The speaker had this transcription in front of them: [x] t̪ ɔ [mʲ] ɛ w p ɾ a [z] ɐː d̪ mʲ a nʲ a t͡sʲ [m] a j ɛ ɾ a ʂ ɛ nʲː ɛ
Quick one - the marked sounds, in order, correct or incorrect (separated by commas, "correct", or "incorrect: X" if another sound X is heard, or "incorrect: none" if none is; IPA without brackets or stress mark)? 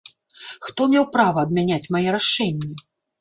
correct, correct, incorrect: v, correct